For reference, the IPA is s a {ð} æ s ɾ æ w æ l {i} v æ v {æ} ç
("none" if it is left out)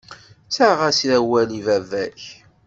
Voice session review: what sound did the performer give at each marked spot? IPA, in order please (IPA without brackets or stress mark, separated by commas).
ʁ, i, æ